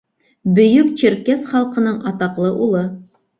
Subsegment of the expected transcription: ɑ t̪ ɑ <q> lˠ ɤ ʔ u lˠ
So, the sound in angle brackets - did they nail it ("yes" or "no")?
yes